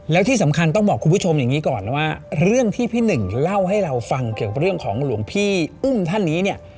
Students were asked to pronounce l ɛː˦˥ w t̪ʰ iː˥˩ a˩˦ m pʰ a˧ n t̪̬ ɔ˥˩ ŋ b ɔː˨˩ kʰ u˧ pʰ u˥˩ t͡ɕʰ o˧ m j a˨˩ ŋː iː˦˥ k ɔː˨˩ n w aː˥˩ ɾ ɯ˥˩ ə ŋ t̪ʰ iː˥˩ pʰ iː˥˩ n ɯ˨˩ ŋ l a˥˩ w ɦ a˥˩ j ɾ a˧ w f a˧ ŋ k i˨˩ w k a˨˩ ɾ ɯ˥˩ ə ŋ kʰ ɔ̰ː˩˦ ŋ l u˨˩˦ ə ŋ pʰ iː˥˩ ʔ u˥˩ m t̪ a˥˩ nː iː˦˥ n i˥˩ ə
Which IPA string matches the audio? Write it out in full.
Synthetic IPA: l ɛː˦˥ w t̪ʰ iː˥˩ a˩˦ m kʰ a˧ n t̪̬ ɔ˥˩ ŋ b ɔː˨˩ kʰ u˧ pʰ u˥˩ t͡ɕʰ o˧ m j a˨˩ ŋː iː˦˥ k ɔː˨˩ n w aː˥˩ ɾ ɯ˥˩ ə ŋ t̪ʰ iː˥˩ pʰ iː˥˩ n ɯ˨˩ ŋ l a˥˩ w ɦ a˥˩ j ɾ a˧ w f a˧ ŋ k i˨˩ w k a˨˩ ɾ ɯ˥˩ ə ŋ kʰ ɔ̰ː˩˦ ŋ l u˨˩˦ ə ŋ pʰ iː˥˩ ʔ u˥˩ m t̪ʰ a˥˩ nː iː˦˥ n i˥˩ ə